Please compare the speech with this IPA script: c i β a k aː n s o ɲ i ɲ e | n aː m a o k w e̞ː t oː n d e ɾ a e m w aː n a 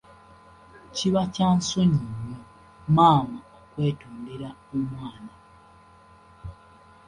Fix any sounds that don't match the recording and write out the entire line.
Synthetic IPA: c i β a c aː n s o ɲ i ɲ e | m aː m a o k w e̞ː t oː n d e ɾ a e m w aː n a